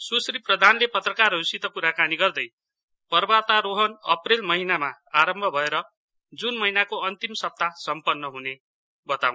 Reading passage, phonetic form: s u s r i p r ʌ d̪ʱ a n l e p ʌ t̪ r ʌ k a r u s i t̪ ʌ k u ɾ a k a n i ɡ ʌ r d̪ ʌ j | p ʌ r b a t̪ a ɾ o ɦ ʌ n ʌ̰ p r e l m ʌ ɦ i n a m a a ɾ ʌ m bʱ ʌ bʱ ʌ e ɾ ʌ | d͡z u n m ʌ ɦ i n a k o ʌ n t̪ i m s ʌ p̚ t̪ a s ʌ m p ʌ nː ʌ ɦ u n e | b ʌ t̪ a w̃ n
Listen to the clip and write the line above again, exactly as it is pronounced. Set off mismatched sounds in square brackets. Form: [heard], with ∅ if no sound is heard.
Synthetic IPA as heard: s u s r i p r ʌ d̪ʱ a n l e p ʌ t̪ r ʌ k a r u s i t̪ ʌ k u ɾ a k a n i ɡ ʌ r d̪ ʌ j | p ʌ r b a t̪ a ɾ o ɦ ʌ n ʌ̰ p r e l m ʌ ɦ i n a m a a ɾ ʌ m bʱ ʌ bʱ ʌ e ɾ ʌ | d͡z u n m ʌ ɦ i n a k o ʌ n t̪ i m s ʌ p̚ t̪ a s ʌ m p ʌ nː ʌ ɦ u n e | b ʌ t̪ a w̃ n